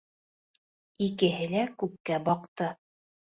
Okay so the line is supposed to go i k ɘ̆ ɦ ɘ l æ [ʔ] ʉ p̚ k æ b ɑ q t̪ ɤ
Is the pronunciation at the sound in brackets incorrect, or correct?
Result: incorrect